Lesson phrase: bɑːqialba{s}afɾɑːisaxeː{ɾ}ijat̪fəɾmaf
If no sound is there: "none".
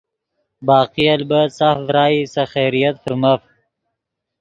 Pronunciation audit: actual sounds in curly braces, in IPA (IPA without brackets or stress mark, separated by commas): s, ɾ